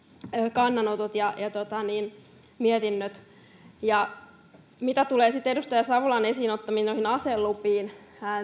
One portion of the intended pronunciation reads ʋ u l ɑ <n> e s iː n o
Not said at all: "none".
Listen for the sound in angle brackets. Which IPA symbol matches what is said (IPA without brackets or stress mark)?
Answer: n